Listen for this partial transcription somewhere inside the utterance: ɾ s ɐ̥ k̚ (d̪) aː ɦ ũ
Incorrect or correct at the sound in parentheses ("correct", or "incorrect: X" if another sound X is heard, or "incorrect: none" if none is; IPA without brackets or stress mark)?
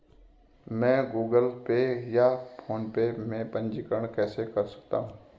incorrect: t̪